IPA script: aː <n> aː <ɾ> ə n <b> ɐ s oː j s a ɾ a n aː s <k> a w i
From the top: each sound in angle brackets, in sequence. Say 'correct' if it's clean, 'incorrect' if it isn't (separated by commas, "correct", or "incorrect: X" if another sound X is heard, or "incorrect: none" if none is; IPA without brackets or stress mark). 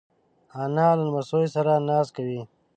correct, incorrect: l, incorrect: m, correct